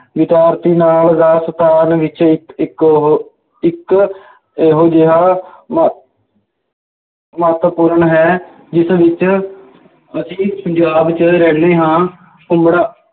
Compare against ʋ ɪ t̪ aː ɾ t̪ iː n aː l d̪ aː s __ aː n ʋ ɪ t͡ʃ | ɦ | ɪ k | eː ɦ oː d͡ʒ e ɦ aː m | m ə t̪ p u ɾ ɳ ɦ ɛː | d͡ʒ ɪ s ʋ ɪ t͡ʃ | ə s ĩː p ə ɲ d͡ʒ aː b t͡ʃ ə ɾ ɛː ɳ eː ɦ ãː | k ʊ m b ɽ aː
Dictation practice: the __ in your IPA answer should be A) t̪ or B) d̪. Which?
A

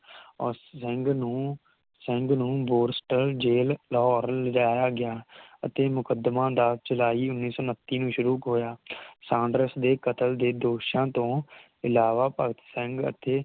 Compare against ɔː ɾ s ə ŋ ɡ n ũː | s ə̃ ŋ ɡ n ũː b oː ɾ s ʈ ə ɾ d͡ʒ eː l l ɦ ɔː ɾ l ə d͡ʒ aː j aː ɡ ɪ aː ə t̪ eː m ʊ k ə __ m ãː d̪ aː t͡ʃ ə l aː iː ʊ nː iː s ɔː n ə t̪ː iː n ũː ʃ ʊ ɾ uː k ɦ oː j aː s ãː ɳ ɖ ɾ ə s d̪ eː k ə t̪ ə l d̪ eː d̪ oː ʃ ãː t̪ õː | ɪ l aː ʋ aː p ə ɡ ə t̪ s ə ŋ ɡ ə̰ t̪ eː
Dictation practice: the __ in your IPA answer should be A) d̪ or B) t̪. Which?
A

